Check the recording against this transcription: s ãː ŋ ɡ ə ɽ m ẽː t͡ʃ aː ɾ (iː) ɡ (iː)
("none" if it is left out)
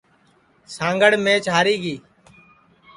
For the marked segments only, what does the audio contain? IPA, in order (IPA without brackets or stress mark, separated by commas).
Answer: iː, iː